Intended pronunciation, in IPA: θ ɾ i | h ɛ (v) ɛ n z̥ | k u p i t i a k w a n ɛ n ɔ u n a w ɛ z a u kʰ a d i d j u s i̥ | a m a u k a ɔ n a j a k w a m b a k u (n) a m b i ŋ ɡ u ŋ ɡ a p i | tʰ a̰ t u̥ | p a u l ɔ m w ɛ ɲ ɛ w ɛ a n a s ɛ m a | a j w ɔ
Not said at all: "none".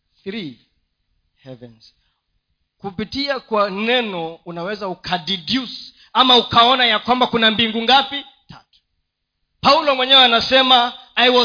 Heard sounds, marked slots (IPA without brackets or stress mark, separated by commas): v, n